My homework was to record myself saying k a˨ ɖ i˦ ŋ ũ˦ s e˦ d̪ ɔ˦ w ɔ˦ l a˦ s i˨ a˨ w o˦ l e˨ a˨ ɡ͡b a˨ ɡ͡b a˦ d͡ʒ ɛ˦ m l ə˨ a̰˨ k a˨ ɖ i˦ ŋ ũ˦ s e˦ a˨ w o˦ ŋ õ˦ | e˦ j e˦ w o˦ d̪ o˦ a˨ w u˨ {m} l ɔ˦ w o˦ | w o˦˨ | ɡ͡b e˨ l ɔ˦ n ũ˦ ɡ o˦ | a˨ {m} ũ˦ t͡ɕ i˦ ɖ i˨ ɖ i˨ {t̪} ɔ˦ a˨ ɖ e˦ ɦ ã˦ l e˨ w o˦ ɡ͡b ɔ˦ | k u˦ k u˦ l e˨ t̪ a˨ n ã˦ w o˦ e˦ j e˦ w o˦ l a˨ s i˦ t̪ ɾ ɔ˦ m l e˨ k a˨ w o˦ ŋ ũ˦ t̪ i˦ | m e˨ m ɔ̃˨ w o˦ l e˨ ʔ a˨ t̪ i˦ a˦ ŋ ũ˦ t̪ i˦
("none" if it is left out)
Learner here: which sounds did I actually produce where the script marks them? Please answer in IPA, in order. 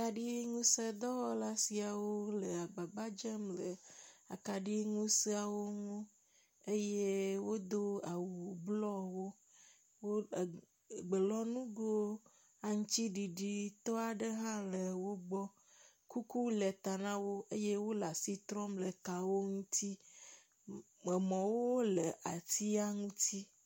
b, ŋ, t̪

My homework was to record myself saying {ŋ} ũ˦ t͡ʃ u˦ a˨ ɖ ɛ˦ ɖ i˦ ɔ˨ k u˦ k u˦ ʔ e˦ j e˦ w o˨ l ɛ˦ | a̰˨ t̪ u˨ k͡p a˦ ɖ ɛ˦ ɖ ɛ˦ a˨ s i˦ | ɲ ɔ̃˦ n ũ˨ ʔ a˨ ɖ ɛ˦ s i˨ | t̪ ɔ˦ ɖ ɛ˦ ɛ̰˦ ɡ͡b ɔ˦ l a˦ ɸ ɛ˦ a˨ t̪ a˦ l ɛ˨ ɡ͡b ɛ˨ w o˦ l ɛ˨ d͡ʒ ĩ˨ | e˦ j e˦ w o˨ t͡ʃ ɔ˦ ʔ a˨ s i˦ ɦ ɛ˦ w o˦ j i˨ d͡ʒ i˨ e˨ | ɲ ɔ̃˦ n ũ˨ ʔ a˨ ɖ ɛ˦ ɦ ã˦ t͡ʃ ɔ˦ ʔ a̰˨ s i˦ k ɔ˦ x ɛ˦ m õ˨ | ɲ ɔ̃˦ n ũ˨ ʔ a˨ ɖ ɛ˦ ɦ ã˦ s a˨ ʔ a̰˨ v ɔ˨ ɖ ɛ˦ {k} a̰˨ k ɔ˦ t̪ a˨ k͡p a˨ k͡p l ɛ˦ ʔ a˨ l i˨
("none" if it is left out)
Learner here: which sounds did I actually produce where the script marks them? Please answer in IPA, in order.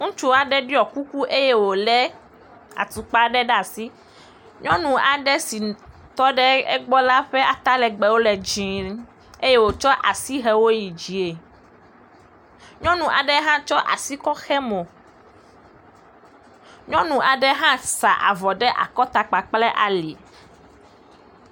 ŋ, ʔ

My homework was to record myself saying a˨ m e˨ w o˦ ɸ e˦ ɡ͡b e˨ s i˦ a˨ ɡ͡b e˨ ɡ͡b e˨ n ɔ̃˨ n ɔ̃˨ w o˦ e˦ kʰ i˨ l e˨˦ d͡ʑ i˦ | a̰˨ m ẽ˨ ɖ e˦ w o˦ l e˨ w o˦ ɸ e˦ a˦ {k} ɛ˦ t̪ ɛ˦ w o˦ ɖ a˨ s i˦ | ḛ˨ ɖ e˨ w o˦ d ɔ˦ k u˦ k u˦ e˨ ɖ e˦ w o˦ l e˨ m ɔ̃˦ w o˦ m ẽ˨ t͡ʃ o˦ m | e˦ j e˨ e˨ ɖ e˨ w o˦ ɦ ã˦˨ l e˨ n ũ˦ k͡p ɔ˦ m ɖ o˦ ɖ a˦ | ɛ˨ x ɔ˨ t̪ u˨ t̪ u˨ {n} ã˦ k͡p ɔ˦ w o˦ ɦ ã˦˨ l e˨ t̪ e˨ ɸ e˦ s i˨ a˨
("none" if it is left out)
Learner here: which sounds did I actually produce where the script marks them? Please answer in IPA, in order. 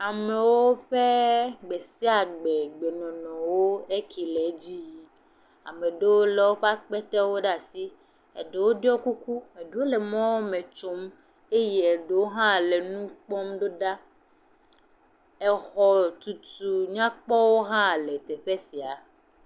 k͡p, ɲ

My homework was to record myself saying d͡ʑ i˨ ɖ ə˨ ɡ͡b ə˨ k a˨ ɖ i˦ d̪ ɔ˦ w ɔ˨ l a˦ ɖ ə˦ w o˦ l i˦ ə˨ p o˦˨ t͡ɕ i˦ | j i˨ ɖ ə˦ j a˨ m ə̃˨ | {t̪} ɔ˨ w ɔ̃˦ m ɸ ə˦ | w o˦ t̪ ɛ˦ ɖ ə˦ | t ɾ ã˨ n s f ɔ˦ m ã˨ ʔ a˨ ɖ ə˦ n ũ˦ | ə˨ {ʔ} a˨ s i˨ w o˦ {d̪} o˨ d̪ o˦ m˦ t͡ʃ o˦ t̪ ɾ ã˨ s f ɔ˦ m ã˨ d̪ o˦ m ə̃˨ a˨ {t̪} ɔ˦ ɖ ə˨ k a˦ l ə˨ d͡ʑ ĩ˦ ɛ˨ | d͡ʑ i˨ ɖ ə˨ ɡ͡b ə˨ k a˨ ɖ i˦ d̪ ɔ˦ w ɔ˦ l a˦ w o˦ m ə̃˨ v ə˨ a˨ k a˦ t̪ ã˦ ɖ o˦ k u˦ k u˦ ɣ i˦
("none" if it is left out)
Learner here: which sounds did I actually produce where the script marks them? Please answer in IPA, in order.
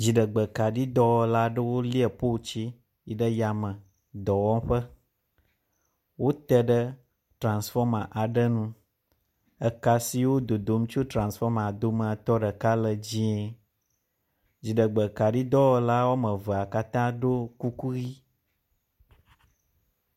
d̪, k, d̪, t̪

